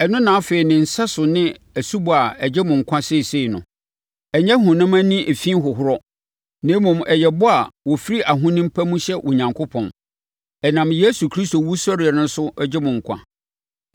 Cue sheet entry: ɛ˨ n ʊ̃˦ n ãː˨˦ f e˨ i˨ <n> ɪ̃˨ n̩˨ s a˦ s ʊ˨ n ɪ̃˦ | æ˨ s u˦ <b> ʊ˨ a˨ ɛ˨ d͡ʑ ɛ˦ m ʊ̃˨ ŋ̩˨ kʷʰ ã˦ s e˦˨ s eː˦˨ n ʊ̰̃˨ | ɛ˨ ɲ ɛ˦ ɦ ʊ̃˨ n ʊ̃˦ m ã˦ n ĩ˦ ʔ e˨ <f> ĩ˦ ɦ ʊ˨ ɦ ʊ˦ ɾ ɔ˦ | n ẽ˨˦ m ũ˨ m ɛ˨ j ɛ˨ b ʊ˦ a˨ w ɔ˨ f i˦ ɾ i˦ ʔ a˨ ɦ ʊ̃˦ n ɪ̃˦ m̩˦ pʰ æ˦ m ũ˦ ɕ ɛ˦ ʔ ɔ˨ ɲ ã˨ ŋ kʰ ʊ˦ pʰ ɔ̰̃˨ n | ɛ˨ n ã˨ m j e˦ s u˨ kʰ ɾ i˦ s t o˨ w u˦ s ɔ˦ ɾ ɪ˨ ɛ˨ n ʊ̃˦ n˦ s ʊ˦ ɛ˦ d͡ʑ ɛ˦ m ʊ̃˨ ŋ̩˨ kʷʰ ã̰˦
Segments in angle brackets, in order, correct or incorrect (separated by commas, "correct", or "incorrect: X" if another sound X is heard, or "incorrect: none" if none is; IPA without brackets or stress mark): correct, correct, correct